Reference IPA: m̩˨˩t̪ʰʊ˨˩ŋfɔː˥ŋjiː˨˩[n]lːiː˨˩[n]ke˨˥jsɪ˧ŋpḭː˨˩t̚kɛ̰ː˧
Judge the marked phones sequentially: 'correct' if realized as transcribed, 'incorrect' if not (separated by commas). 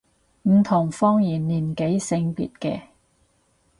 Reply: correct, correct